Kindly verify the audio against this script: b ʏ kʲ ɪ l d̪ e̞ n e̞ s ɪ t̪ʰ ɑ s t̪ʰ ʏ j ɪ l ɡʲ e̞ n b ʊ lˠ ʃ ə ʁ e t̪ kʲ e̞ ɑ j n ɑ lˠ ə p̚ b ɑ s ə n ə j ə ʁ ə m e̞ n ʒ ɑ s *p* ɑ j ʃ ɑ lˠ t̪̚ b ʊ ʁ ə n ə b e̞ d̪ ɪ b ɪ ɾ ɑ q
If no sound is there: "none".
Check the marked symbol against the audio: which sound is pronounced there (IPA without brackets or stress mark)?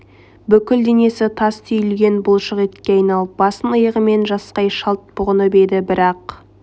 q